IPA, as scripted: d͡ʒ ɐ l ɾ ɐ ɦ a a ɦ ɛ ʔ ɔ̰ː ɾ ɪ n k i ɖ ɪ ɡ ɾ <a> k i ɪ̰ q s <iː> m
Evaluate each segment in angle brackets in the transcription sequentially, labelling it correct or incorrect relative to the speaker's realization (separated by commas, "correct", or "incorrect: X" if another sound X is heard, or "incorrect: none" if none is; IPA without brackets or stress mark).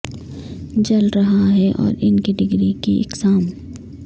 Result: incorrect: i, incorrect: aː